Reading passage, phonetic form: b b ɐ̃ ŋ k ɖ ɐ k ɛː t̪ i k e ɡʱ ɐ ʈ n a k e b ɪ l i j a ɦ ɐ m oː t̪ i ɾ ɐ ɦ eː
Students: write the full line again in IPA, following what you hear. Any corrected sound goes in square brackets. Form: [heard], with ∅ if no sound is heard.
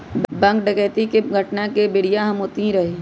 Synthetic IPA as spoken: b b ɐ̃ ŋ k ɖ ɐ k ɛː t̪ i k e ɡʱ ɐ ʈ n a k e b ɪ [ɽ] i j a ɦ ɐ m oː t̪ i ɾ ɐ ɦ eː

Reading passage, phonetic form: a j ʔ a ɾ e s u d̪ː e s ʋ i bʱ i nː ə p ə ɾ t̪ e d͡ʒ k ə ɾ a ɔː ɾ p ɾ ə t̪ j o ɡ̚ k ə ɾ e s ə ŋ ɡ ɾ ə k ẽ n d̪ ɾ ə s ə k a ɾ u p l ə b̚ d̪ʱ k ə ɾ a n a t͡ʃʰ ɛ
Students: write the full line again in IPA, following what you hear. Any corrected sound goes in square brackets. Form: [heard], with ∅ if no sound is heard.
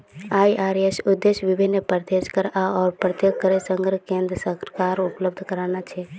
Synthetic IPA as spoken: a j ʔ a ɾ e s u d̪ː e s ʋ i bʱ i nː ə p ə ɾ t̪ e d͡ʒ k ə ɾ a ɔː ɾ p ɾ ə t̪ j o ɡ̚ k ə ɾ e s ə ŋ ɡ ɾ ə k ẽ n d̪ ɾ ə s ə k a ɾ u p l ə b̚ d̪ʱ k ə ɾ a n a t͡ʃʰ ɛ

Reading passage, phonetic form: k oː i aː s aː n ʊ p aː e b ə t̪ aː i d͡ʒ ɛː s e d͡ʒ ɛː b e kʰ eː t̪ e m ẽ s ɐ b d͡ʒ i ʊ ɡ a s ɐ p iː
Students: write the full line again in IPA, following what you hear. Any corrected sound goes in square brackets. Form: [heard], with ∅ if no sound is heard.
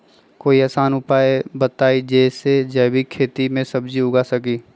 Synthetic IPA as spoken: k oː i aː s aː n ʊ p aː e b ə t̪ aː i d͡ʒ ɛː s e d͡ʒ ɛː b [i] kʰ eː t̪ [i] m ẽ s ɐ b d͡ʒ i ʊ ɡ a s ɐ [k] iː

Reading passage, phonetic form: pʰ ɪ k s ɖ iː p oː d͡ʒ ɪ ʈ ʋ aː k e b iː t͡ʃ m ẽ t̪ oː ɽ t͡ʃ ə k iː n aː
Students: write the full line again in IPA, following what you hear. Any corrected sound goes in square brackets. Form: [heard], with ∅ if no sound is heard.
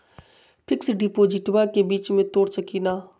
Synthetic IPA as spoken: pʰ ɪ k s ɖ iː p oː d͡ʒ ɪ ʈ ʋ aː k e b iː t͡ʃ m ẽ t̪ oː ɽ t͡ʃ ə k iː n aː

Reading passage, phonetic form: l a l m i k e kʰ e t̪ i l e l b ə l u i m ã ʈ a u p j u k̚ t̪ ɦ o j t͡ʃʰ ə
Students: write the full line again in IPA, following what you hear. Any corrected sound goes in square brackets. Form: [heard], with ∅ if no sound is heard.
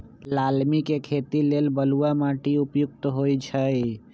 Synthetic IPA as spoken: l a l m i k e kʰ e t̪ i l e l b ə l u [a] m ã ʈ [i] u p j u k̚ t̪ ɦ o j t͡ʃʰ ə

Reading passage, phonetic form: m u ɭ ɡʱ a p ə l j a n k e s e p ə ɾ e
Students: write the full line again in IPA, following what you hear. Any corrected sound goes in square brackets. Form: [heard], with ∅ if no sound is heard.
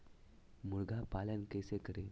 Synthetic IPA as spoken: m u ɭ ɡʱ a p [a] l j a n k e s e [k] ə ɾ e

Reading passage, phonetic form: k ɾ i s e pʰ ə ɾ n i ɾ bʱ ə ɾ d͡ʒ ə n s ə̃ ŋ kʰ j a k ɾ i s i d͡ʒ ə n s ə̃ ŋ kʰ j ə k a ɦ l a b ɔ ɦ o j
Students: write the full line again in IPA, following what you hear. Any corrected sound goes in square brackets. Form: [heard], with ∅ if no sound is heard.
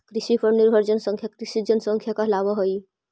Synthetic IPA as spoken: k ɾ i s [i] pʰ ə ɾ n i ɾ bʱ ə ɾ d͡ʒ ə n s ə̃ ŋ kʰ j a k ɾ i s i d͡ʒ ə n s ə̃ ŋ kʰ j [a] k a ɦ l a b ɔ ɦ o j

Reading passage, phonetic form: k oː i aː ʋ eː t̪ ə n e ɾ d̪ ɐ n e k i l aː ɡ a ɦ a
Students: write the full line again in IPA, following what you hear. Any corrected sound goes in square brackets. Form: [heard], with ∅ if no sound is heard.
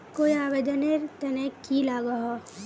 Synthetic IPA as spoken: k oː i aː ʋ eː [d̪] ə n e ɾ [t̪] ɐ n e k i l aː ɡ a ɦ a

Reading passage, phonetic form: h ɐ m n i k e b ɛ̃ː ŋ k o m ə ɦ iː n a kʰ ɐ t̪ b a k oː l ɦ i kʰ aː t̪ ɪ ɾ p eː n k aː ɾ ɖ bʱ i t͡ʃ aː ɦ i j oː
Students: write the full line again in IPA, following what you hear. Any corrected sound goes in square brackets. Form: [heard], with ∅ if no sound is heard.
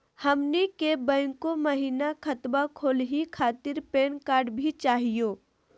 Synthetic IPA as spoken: h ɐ m n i k e b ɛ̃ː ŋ k o m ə ɦ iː n a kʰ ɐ t̪ b a [kʰ] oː l ɦ i kʰ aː t̪ ɪ ɾ p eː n k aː ɾ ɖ bʱ i t͡ʃ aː ɦ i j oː

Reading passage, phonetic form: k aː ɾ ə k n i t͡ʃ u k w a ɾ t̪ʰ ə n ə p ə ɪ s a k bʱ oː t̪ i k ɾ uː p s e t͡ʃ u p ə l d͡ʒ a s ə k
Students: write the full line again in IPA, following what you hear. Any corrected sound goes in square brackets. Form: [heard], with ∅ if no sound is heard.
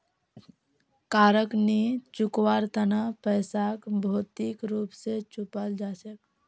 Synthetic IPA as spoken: k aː ɾ ə k n i t͡ʃ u k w a ɾ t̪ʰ ə n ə p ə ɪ s a k bʱ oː t̪ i k ɾ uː p s e t͡ʃ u p ə l d͡ʒ a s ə k

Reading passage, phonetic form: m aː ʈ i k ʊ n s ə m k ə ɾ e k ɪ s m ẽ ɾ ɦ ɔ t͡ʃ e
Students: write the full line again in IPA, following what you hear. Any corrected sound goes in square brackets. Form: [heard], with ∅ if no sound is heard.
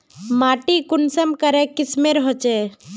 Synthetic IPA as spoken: m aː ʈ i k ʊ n s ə m k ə ɾ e k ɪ s m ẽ ɾ ɦ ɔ t͡ʃ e

